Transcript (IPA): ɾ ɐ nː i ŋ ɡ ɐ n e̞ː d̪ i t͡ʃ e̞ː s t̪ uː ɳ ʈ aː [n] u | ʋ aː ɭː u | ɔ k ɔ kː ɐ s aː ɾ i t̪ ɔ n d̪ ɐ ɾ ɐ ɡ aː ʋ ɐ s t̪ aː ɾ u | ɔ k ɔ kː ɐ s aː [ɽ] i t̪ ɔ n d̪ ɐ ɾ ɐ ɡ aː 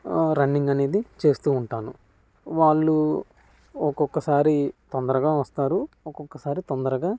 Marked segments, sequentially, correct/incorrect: correct, incorrect

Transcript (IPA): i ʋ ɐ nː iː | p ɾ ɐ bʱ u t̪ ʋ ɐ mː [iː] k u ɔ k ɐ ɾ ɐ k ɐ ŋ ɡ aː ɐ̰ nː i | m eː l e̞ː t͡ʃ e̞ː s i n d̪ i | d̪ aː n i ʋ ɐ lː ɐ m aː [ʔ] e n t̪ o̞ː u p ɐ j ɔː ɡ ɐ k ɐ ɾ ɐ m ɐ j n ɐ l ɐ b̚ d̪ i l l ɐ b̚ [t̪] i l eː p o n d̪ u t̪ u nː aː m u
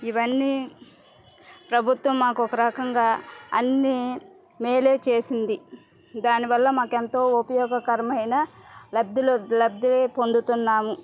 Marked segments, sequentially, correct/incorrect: incorrect, incorrect, incorrect

